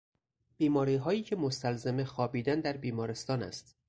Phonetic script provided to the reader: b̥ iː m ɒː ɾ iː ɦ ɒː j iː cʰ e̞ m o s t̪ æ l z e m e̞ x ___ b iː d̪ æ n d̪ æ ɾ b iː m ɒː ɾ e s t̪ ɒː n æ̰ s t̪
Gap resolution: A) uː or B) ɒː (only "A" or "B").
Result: B